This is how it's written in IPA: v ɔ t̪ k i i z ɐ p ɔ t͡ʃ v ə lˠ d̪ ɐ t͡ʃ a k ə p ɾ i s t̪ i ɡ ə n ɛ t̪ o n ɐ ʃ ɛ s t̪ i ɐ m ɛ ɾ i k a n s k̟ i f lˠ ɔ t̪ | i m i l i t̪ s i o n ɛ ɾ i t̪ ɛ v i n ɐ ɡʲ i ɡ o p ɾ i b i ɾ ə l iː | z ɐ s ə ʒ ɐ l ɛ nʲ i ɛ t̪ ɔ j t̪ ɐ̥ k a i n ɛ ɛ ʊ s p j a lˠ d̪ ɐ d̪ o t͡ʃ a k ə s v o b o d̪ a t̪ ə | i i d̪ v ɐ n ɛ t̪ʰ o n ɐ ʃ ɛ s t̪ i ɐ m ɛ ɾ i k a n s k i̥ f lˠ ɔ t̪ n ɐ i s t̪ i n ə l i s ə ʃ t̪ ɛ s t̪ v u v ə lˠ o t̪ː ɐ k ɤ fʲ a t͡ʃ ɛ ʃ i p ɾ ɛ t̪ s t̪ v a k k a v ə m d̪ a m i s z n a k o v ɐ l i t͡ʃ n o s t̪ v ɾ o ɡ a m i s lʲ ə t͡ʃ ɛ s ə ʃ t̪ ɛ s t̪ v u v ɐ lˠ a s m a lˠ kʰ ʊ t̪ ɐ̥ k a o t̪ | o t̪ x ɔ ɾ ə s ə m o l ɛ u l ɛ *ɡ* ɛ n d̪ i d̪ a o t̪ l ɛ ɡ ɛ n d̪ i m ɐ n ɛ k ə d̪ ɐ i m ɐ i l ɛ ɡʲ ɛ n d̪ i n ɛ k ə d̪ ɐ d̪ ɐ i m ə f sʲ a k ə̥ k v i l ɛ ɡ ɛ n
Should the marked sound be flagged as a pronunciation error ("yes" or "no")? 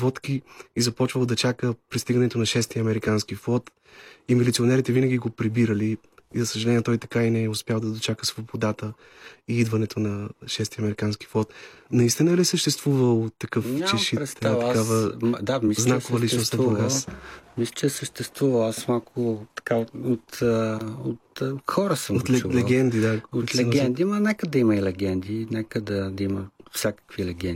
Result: no